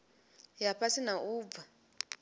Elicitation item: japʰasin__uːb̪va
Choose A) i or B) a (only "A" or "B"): B